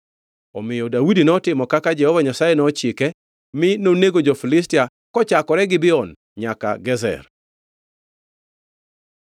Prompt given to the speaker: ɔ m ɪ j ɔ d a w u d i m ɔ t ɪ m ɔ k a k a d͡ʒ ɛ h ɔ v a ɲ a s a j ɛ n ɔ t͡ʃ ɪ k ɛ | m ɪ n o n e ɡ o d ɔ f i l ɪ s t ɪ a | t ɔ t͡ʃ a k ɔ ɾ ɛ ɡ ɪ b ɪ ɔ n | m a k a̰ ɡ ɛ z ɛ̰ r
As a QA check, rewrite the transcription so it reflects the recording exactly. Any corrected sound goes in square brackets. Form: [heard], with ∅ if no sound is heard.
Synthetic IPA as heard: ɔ m ɪ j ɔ d a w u d i [n] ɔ t ɪ m ɔ k a k a d͡ʒ ɛ h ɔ v a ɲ a s a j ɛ n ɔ t͡ʃ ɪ k ɛ | m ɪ n o n e ɡ o [d͡ʒ] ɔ f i l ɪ s t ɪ a | [k] ɔ t͡ʃ a k ɔ ɾ ɛ ɡ ɪ b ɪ ɔ n | [ɲ] a k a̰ ɡ ɛ z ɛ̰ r